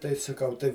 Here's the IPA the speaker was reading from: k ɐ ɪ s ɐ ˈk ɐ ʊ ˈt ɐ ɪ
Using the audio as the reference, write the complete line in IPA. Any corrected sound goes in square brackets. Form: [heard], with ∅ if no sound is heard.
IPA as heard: [t] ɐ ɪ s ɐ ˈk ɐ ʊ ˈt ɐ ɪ